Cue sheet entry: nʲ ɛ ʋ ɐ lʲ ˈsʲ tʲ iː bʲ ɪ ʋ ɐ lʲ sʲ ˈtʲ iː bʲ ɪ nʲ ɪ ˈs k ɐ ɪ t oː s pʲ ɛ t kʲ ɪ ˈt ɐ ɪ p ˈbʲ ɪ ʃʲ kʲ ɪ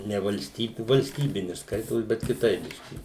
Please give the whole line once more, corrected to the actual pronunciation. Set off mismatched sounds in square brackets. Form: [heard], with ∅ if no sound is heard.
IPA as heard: nʲ ɛ ʋ ɐ lʲ ˈsʲ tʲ iː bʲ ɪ ʋ ɐ lʲ sʲ ˈtʲ iː bʲ ɪ nʲ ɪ ˈs k ɐ ɪ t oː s [bʲ] ɛ t kʲ ɪ ˈt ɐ ɪ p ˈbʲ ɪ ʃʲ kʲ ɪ